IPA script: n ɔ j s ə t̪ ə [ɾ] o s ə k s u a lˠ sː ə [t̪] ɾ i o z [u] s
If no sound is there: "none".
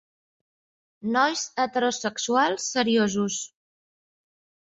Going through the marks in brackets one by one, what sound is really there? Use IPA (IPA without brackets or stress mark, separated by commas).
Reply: ɾ, none, u